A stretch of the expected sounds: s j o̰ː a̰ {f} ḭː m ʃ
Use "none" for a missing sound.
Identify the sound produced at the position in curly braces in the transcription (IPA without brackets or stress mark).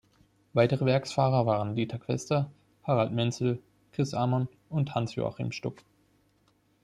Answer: χ